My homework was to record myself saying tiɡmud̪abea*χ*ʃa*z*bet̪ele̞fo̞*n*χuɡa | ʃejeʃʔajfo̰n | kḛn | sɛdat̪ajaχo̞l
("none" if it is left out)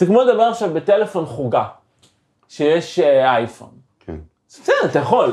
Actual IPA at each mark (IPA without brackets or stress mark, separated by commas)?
χ, v, n